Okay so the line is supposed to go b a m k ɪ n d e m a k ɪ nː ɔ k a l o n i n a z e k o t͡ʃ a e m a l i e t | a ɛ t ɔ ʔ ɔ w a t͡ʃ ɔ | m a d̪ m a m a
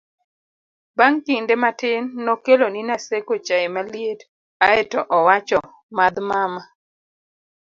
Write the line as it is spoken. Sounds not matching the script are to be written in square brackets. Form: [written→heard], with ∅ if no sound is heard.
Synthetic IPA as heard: b a [m→ŋ] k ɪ n d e m a [k→t] ɪ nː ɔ k [a→e] l o n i n a [z→s] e k o t͡ʃ a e m a l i e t | a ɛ t ɔ ʔ ɔ w a t͡ʃ ɔ | m a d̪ m a m a